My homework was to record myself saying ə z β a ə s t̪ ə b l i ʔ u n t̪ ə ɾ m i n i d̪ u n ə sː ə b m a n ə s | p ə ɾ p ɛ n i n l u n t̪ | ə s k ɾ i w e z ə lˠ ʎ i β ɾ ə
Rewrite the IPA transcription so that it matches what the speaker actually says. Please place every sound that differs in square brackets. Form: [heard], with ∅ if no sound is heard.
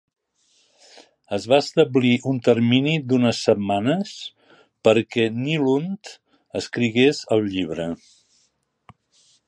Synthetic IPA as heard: ə z β a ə s t̪ ə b l i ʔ u n t̪ ə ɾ m i n i d̪ u n ə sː ə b m a n ə s | p ə ɾ [k] ɛ n i [∅] l u n t̪ | ə s k ɾ i [ɣ] e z ə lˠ ʎ i β ɾ ə